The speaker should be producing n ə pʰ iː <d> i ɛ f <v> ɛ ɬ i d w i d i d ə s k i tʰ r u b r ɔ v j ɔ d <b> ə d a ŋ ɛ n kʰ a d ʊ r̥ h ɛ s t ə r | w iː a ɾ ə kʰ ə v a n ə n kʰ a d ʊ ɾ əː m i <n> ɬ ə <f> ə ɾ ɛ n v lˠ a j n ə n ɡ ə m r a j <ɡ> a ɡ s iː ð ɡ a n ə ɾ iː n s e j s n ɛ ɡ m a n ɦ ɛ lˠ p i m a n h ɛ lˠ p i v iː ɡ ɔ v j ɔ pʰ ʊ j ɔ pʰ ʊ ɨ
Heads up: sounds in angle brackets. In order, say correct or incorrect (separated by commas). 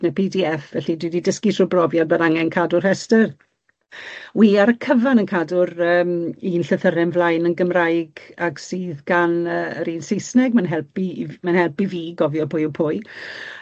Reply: correct, correct, correct, correct, incorrect, correct